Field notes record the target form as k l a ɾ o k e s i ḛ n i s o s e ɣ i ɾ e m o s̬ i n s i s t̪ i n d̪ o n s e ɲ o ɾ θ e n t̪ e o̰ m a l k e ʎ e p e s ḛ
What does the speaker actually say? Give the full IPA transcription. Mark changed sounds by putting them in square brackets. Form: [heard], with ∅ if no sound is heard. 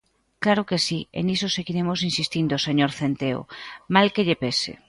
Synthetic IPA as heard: k l a ɾ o k e s i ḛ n i s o s e ɣ i ɾ e m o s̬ i n s i s t̪ i n d̪ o [∅] s e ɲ o ɾ θ e n t̪ e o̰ m a l k e ʎ e p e s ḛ